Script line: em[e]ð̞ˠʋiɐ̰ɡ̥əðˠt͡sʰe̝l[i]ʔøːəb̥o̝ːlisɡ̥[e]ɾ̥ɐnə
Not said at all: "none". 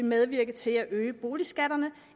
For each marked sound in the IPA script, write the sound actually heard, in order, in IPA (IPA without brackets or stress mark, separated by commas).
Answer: e, æ, æ